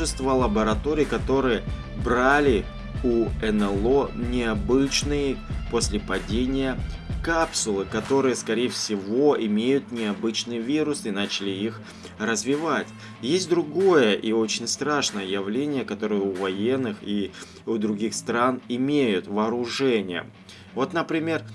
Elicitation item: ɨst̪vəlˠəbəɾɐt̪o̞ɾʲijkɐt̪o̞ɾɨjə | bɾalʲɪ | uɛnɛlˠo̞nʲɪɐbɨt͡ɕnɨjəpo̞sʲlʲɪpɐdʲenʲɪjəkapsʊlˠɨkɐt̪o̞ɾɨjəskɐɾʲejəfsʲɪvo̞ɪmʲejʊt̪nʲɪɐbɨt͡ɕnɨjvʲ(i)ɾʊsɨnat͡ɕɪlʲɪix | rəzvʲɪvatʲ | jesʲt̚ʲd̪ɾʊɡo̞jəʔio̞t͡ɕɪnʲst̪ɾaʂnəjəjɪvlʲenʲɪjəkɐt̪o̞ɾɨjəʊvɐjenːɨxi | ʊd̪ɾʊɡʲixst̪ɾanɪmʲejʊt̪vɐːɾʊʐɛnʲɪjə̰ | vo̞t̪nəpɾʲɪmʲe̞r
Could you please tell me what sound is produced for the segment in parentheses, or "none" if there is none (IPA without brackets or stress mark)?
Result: i